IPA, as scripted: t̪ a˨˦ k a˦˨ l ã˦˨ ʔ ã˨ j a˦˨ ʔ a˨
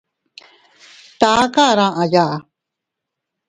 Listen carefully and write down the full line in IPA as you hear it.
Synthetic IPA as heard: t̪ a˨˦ k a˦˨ ɾ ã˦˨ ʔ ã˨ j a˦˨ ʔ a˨